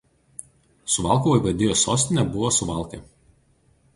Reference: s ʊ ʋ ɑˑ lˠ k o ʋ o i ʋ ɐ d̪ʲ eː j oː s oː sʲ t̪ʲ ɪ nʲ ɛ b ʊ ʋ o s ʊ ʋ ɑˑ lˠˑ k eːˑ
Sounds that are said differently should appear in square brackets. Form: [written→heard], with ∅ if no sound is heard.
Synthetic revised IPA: s ʊ ʋ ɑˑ lˠ k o ʋ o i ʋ ɐ d̪ʲ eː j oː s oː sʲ t̪ʲ ɪ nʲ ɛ b ʊ ʋ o s ʊ ʋ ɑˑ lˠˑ k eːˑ

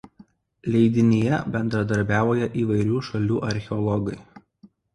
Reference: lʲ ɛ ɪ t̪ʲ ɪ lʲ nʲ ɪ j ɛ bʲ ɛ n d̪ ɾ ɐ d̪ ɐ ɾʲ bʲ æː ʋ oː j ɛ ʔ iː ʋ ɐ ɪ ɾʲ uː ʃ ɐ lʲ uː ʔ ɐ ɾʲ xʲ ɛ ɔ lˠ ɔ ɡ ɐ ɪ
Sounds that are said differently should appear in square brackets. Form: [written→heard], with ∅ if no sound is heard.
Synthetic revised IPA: lʲ ɛ ɪ [t̪ʲ→d̪ʲ] ɪ [lʲ→∅] nʲ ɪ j ɛ bʲ ɛ n d̪ ɾ ɐ d̪ ɐ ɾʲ bʲ æː ʋ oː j ɛ ʔ iː ʋ ɐ ɪ ɾʲ uː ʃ ɐ lʲ uː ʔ ɐ ɾʲ xʲ ɛ ɔ lˠ ɔ ɡ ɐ ɪ

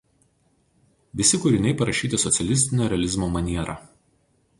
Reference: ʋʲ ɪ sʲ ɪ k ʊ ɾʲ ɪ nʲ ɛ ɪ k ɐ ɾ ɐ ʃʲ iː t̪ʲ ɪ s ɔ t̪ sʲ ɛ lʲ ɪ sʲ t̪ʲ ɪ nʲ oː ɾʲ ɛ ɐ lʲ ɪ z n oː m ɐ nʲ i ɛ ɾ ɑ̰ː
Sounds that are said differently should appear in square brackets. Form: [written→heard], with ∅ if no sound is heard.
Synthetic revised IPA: ʋʲ ɪ sʲ ɪ k ʊ ɾʲ ɪ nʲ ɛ ɪ [k→p] ɐ ɾ ɐ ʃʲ iː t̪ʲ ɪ s ɔ t̪ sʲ ɛ lʲ ɪ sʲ t̪ʲ ɪ nʲ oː ɾʲ ɛ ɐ lʲ ɪ z [n→m] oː m ɐ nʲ i ɛ ɾ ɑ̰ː

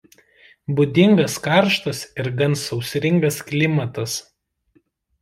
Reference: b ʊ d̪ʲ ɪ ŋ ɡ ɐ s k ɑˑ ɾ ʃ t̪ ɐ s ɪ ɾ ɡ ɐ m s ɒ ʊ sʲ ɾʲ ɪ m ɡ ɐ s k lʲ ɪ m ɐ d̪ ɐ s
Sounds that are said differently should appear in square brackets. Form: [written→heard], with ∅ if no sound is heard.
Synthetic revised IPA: b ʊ d̪ʲ ɪ ŋ ɡ ɐ s k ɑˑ ɾ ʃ t̪ ɐ s ɪ ɾ ɡ ɐ [m→n] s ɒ ʊ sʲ ɾʲ ɪ [m→ŋ] ɡ ɐ s k lʲ ɪ m ɐ [d̪→t̪] ɐ s

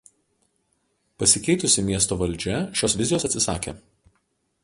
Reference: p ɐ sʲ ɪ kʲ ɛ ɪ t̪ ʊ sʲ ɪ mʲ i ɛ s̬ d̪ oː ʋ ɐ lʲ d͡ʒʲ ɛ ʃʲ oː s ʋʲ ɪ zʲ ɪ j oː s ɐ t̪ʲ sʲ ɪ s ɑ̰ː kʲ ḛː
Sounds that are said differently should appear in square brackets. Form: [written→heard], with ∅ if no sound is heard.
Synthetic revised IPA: p ɐ sʲ ɪ kʲ ɛ ɪ t̪ ʊ sʲ ɪ mʲ i ɛ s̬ [d̪→t̪] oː ʋ ɐ lʲ d͡ʒʲ ɛ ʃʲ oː s ʋʲ ɪ zʲ ɪ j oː s ɐ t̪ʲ sʲ ɪ s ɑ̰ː kʲ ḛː

